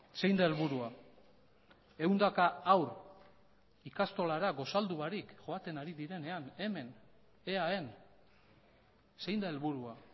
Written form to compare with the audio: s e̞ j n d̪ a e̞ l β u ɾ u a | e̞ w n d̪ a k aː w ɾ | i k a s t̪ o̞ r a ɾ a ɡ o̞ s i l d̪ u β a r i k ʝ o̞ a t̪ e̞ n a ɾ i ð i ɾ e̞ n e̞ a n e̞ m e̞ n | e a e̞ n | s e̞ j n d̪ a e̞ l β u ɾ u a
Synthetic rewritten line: s e̞ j n d̪ a e̞ l β u ɾ u a | e̞ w n d̪ a k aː w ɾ | i k a s t̪ o̞ l a ɾ a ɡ o̞ s a l d̪ u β a ɾ i k ʝ o̞ a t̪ e̞ n a ɾ i ð i ɾ e̞ n e̞ a n e̞ m e̞ n | e a e̞ n | s e̞ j n d̪ a e̞ l β u ɾ u a